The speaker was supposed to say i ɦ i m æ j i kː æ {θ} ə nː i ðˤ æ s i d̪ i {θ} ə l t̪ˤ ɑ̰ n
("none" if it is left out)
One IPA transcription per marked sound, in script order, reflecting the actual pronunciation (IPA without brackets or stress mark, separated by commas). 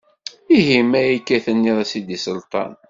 θ, s